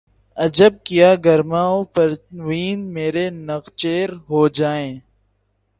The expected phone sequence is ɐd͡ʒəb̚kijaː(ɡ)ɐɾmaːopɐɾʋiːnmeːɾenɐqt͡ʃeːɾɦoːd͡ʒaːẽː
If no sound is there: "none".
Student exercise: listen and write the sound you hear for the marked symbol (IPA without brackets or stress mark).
ɡ